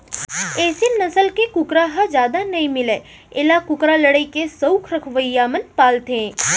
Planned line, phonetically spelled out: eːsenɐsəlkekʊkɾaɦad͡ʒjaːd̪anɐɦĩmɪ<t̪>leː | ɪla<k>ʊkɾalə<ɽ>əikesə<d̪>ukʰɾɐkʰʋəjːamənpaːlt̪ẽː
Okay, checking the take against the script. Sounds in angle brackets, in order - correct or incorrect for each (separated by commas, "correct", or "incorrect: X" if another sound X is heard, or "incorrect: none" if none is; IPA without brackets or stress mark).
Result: incorrect: none, correct, correct, incorrect: none